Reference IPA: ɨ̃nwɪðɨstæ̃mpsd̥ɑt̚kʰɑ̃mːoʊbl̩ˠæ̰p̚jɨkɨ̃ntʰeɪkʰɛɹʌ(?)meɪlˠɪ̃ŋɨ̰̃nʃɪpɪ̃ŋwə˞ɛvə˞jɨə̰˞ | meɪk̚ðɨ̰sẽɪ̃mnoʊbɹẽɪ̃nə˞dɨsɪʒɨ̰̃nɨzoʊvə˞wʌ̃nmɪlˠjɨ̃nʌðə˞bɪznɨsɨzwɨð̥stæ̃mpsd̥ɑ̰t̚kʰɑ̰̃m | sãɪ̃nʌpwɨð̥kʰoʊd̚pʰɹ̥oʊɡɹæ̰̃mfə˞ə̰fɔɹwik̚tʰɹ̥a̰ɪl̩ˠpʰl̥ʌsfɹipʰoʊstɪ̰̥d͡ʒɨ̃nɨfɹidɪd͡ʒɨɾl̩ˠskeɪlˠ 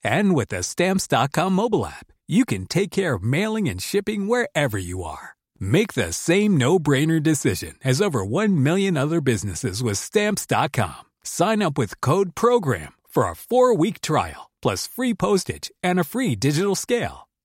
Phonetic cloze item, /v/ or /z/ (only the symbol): v